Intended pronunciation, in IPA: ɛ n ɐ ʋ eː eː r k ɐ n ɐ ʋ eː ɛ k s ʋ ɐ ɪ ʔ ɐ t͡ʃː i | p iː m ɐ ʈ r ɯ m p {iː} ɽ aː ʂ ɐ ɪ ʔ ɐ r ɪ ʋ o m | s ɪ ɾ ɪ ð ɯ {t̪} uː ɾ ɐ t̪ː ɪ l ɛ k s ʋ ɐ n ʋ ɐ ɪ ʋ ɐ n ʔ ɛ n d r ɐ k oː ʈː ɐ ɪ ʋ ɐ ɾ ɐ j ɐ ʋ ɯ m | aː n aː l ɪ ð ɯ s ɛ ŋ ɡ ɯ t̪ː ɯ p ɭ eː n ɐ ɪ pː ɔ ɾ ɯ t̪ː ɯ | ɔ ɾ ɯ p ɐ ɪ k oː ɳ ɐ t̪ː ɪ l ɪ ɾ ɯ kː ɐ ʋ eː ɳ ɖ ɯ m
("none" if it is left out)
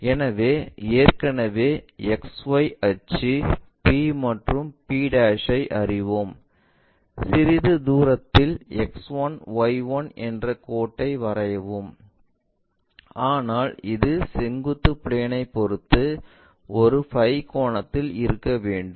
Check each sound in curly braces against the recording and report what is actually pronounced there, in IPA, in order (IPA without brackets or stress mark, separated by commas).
iː, d̪